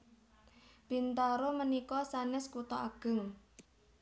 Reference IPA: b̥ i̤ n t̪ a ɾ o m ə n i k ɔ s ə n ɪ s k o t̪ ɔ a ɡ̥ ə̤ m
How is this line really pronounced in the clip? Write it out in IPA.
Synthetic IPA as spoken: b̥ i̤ n t̪ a ɾ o m ə n i k ɔ s a n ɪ s k u t̪ ɔ a ɡ̥ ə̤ ŋ